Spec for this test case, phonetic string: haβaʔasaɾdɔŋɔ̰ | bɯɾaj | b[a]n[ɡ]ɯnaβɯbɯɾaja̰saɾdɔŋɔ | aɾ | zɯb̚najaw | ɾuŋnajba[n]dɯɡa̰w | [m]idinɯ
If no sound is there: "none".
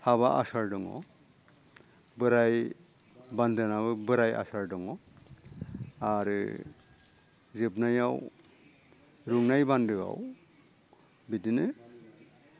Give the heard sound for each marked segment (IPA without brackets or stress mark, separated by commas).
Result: a, d, n, b